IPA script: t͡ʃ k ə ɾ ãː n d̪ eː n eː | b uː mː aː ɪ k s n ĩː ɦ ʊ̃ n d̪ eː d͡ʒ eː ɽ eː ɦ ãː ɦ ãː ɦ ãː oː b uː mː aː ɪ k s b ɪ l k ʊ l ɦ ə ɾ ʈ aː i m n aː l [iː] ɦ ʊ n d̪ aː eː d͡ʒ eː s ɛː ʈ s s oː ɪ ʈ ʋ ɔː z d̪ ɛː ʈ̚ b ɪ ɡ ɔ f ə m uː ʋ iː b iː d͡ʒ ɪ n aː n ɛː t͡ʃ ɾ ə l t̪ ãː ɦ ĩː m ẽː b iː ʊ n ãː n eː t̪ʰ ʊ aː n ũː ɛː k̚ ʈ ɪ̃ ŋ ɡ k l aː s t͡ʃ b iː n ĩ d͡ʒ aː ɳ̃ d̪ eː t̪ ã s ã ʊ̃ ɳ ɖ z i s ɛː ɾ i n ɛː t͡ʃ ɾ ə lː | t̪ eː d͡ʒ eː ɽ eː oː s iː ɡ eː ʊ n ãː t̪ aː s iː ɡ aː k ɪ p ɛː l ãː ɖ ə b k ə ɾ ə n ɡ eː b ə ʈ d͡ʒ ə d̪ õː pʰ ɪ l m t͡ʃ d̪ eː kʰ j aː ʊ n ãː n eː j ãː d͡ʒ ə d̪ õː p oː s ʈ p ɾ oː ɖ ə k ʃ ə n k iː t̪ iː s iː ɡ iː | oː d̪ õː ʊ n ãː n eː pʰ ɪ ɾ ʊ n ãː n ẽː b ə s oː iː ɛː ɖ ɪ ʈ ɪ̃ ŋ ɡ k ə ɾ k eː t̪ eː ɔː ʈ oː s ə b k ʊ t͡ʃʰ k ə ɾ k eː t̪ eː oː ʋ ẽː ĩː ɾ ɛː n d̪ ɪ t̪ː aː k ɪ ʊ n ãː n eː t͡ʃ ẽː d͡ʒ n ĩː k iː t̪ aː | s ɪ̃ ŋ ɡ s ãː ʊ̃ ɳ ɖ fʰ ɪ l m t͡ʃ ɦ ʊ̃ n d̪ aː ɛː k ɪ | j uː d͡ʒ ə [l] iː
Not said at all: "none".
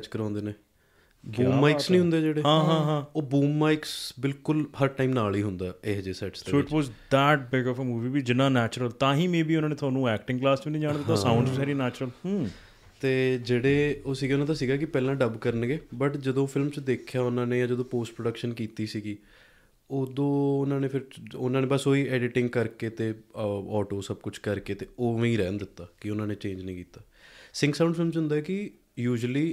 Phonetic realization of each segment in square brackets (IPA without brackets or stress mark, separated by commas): iː, l